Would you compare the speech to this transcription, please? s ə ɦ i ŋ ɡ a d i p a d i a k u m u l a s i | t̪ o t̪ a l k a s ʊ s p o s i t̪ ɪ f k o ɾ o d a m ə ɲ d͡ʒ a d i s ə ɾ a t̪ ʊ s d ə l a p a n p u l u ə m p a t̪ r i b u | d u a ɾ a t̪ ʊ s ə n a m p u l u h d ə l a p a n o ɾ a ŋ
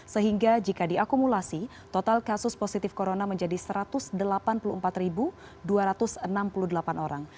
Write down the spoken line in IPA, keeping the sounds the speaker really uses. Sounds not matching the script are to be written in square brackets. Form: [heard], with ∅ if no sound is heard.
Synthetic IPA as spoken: s ə ɦ i ŋ ɡ a [d͡ʒ] i [k] a d i a k u m u l a s i | t̪ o t̪ a l k a s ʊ s p o s i t̪ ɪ f k o ɾ o [n] a m ə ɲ d͡ʒ a d i s ə ɾ a t̪ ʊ s d ə l a p a n p u l u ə m p a t̪ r i b u | d u a ɾ a t̪ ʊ s ə n a m p u l u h d ə l a p a n o ɾ a ŋ